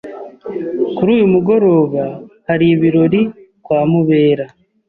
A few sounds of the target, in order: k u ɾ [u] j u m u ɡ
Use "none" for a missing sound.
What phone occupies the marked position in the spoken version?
uː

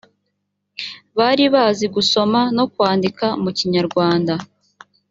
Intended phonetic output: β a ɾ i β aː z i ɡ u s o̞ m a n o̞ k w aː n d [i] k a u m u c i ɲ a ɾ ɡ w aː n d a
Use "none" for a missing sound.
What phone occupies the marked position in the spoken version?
i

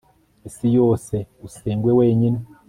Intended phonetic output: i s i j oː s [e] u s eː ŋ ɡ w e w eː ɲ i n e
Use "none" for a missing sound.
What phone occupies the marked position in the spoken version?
e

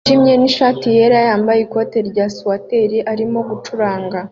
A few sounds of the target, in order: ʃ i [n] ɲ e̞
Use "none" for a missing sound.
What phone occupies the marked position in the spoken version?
m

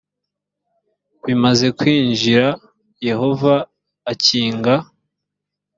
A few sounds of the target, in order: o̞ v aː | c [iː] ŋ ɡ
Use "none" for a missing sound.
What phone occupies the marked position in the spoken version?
iː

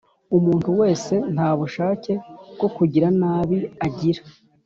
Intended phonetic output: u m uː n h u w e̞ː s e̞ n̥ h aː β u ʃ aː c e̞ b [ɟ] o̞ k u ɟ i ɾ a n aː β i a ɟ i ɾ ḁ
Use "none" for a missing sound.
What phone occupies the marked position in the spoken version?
ɡ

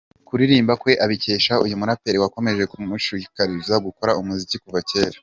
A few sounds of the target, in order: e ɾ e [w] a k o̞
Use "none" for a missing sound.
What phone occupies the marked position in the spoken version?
w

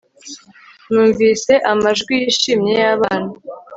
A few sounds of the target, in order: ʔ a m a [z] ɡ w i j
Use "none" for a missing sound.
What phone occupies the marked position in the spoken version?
ʒ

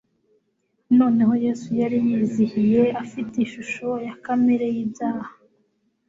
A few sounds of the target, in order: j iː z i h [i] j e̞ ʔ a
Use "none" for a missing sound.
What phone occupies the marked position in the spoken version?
i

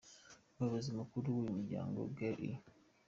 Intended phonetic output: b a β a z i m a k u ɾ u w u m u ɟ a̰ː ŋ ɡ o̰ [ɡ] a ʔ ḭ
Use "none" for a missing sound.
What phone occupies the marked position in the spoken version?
ɡ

